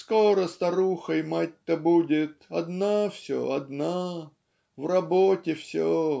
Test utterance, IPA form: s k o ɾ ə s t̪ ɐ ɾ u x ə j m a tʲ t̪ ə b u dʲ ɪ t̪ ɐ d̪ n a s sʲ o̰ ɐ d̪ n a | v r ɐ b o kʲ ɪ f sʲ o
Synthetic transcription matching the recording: s k o ɾ ə s t̪ ɐ ɾ u x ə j m a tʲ t̪ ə b u dʲ ɪ t̪ ɐ d̪ n a f sʲ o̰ ɐ d̪ n a | v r ɐ b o tʲ ɪ f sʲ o